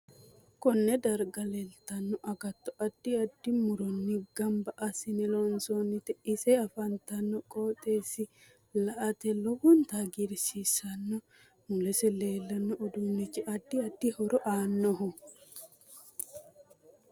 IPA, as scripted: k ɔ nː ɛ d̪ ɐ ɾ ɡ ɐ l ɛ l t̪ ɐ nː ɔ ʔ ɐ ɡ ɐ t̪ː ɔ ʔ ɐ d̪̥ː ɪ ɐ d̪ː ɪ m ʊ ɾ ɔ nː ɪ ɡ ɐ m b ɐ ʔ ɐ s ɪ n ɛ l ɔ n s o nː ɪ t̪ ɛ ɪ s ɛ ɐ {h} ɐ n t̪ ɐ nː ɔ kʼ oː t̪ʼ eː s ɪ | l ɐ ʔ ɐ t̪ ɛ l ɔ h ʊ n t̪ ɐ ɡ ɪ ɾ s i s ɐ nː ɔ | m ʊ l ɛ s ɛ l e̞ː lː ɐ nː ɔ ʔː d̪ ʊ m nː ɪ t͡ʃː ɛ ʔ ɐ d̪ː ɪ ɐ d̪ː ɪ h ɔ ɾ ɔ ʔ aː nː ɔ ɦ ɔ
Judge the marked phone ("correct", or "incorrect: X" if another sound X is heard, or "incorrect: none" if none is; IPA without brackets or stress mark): incorrect: f